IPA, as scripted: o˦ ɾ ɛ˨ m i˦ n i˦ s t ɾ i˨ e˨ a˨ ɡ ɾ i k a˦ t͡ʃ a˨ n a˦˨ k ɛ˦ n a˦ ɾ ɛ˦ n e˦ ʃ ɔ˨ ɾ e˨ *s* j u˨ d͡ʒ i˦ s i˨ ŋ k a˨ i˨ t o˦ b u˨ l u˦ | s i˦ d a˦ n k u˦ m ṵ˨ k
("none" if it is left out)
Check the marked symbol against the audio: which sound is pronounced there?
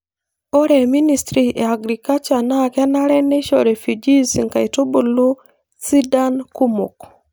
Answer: f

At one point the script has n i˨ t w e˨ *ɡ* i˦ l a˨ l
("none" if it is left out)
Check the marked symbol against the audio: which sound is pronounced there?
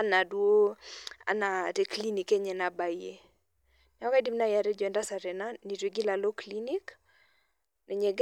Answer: ɡ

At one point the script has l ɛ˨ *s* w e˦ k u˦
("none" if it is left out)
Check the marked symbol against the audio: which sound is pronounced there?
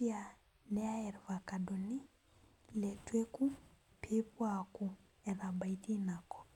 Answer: t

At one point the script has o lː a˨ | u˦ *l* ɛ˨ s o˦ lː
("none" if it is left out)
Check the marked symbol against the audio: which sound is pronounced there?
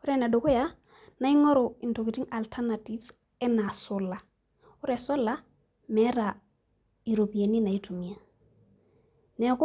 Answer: ɾ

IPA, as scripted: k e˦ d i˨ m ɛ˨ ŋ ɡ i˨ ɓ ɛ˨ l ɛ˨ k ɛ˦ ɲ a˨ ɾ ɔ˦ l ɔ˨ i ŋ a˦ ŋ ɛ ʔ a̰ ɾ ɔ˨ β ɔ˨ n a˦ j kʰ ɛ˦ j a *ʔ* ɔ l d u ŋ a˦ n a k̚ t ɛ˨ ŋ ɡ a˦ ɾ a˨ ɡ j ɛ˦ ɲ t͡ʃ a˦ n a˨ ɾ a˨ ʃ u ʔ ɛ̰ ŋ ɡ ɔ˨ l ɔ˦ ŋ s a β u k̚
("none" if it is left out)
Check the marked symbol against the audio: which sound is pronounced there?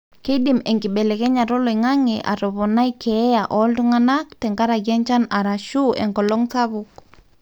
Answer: ʔ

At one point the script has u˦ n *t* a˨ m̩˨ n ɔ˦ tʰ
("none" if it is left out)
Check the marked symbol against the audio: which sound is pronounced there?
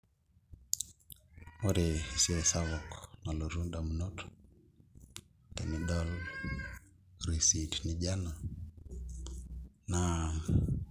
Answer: d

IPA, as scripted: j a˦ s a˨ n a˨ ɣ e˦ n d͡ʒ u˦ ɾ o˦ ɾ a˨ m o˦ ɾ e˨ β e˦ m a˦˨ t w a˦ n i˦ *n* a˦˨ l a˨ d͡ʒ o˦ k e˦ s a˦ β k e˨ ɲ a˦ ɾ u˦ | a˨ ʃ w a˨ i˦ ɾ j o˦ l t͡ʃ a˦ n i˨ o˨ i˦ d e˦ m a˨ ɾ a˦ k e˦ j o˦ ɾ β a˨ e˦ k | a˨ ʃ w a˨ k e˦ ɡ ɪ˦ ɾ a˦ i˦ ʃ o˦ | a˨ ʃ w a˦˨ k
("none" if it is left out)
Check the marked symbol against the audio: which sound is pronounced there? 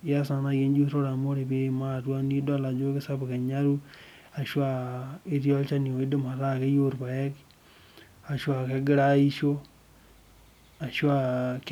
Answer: d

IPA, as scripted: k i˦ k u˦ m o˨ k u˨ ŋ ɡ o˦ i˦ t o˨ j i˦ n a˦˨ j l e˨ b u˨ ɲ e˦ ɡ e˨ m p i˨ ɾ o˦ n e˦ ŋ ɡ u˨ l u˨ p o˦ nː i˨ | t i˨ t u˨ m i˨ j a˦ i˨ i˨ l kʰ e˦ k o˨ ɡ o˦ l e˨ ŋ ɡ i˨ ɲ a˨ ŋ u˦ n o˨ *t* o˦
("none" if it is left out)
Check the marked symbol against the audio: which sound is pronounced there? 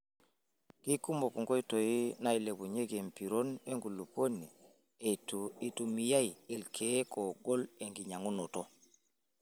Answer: t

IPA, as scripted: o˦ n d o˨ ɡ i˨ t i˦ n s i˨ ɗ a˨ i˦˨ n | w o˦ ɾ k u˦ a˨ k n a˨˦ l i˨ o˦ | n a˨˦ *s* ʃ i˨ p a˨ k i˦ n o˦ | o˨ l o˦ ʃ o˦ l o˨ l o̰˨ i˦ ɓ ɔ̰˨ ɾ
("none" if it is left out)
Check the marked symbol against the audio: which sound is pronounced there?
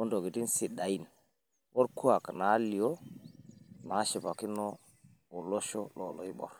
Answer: none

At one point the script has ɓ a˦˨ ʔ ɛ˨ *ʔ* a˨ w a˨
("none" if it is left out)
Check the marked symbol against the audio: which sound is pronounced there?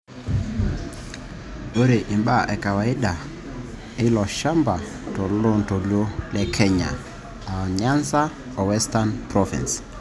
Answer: k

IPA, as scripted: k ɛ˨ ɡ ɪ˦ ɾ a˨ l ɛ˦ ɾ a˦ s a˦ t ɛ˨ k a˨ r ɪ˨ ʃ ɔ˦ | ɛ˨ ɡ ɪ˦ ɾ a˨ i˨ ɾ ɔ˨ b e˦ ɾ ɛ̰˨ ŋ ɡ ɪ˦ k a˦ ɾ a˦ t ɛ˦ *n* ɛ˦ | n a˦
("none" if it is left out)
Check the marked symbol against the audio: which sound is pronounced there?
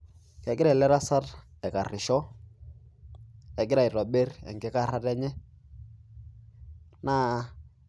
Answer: ɲ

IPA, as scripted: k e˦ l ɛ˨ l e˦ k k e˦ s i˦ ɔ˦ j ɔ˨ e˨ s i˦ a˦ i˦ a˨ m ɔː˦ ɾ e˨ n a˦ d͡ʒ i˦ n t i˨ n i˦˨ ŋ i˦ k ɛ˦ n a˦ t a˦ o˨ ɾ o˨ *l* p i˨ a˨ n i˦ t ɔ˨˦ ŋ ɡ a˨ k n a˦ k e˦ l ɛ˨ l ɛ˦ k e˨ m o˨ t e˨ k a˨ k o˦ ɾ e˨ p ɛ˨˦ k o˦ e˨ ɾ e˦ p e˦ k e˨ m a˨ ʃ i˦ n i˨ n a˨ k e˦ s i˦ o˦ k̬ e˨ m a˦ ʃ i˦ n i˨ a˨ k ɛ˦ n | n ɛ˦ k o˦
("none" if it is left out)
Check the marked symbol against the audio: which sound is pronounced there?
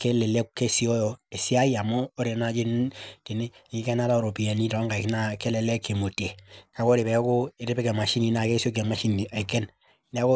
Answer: none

